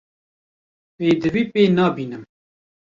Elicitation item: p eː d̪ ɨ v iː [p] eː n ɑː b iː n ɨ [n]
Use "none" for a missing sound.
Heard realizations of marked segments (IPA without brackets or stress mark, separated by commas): p, m